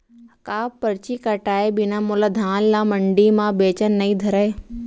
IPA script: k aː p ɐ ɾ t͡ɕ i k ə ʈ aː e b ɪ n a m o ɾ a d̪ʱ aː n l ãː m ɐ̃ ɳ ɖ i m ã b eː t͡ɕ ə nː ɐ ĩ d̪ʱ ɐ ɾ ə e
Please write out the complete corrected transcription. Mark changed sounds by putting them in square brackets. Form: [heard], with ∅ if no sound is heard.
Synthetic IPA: k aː p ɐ ɾ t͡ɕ i k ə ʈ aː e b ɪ n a m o [l] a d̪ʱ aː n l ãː m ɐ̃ ɳ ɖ i m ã b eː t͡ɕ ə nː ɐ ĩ d̪ʱ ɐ ɾ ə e